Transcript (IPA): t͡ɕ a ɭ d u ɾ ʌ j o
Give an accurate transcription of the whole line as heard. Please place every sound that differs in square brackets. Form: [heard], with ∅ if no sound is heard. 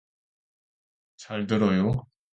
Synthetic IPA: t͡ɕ a ɭ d [ɯ] ɾ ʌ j o